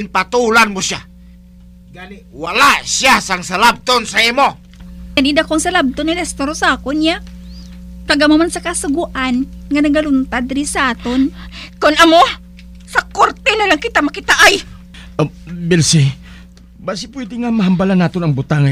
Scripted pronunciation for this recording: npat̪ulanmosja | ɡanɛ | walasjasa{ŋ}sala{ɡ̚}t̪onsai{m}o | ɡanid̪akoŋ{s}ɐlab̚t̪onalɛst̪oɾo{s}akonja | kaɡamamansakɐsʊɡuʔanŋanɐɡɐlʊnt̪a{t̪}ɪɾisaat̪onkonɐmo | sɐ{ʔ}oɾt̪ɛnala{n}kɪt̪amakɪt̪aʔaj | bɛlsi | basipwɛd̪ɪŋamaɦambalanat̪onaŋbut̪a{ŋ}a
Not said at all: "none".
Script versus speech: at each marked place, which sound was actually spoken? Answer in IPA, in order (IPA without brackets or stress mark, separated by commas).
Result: ŋ, b̚, m, s, s, d̪, k, ŋ, ŋ